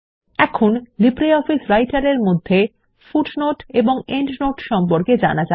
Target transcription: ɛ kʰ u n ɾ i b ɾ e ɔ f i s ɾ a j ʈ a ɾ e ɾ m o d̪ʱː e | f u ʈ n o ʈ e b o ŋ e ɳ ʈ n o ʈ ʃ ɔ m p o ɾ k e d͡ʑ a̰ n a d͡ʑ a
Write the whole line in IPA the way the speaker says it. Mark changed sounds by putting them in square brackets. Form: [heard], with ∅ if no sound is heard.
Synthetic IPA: ɛ kʰ [o] n [l] i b ɾ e ɔ f i s ɾ a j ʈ a ɾ e ɾ m o d̪ʱː e | f u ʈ n o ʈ e b o ŋ e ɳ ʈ n o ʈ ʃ ɔ m p o ɾ k e d͡ʑ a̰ n a d͡ʑ a